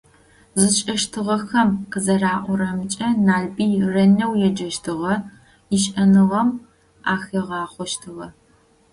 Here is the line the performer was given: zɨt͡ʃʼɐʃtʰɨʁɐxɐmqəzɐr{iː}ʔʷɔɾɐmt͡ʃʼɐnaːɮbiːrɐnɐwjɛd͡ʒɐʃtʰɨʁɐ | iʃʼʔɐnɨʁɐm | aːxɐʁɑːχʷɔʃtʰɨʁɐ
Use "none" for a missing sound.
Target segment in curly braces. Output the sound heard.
aː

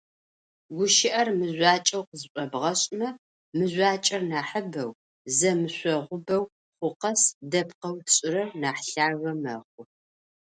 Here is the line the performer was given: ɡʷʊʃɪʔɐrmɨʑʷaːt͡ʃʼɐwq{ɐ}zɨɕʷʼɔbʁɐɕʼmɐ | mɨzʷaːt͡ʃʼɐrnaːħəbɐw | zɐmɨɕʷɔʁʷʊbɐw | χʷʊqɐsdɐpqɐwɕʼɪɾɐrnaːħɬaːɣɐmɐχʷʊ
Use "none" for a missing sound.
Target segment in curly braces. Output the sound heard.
ə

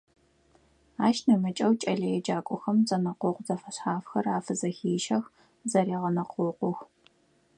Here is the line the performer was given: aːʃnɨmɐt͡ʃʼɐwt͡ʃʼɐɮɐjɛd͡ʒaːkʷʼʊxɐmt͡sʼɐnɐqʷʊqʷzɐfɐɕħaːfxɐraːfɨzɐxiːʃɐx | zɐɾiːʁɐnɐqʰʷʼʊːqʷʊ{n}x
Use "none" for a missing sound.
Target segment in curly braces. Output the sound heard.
none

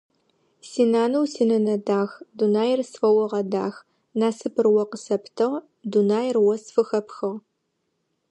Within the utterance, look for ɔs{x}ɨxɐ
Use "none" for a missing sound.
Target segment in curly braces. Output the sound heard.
f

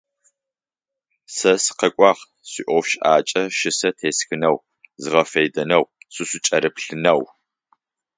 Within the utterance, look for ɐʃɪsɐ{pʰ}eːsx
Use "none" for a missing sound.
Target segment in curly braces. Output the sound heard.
tʰ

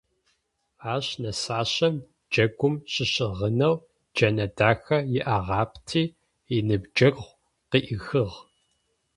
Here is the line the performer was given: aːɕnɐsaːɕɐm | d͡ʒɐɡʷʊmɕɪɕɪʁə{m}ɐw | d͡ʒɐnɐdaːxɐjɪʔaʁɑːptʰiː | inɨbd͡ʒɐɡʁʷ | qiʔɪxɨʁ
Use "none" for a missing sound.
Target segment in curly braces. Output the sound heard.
n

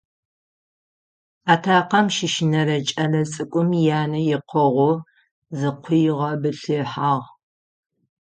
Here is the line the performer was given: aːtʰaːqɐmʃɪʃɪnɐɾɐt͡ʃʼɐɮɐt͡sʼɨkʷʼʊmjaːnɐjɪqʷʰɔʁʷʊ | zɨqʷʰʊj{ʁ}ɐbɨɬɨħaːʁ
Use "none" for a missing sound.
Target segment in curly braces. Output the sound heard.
ʁ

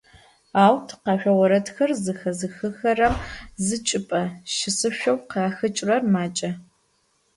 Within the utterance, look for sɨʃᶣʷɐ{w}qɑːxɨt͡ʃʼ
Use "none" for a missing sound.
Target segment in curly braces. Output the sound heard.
w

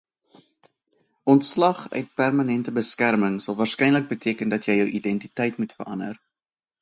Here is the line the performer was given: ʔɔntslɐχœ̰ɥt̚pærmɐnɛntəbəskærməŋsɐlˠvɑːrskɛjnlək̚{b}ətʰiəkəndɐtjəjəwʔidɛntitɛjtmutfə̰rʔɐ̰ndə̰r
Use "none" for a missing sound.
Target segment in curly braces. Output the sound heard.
b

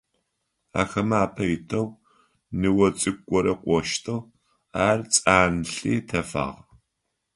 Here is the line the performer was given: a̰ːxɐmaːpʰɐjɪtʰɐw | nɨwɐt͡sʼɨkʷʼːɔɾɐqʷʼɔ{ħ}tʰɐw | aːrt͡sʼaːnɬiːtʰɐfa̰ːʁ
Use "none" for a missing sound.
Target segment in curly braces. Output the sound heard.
ʃ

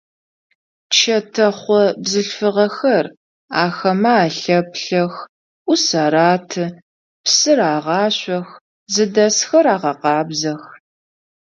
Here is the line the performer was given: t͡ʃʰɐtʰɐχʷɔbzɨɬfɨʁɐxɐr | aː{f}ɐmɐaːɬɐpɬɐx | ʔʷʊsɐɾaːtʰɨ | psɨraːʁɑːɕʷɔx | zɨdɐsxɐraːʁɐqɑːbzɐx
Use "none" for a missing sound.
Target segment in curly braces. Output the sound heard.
x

